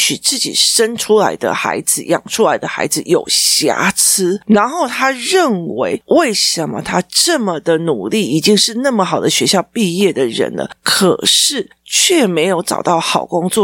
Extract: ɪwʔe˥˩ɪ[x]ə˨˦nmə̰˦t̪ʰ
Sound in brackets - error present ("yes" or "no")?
yes